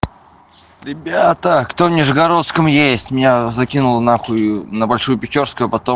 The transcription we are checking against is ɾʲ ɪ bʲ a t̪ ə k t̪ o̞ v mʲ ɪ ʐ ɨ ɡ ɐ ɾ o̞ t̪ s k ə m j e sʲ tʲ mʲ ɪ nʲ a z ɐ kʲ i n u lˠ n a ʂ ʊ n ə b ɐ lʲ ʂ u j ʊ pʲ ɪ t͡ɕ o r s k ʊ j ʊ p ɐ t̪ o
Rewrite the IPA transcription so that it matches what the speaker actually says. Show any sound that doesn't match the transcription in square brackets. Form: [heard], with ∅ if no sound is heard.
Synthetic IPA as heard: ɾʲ ɪ bʲ a t̪ ə k t̪ o̞ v [nʲ] ɪ ʐ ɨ ɡ ɐ ɾ o̞ t̪ s k ə m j e sʲ tʲ mʲ ɪ nʲ a z ɐ kʲ i n [ʊ] lˠ n a [x] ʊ n ə b ɐ lʲ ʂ u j ʊ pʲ ɪ t͡ɕ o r s k ʊ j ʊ p ɐ t̪ o